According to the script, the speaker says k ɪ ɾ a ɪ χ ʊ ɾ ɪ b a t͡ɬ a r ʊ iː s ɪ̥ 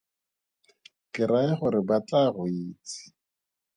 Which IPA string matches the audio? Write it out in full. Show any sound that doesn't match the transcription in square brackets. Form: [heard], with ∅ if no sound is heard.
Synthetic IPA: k ɪ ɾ a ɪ χ ʊ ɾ ɪ b a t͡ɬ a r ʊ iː [t͡s] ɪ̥